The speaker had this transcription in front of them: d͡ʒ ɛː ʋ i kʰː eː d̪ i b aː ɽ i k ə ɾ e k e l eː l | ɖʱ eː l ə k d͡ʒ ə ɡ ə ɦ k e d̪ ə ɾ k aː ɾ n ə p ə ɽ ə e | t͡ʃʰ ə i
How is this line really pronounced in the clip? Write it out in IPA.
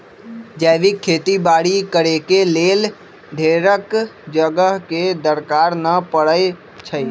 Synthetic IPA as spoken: d͡ʒ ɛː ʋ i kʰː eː t̪ i b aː ɽ i k ə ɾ e k e l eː l | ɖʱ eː ɾ ə k d͡ʒ ə ɡ ə ɦ k e d̪ ə ɾ k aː ɾ n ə p ə ɽ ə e | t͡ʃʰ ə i